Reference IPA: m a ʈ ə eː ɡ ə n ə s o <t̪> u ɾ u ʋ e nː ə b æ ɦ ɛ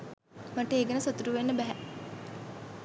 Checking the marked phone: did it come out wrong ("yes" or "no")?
no